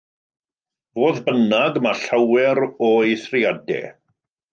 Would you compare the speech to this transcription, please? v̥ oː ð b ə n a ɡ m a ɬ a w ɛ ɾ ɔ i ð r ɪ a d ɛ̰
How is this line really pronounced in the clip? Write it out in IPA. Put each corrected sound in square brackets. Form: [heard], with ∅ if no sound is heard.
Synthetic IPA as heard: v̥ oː ð b ə n a ɡ m a ɬ a w ɛ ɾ ɔ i [θ] r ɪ a d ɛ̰